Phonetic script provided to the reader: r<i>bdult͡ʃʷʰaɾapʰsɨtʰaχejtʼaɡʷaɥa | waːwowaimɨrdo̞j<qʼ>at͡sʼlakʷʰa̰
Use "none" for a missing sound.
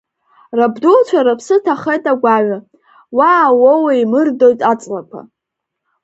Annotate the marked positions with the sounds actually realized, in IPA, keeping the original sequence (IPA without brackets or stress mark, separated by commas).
a, tʼ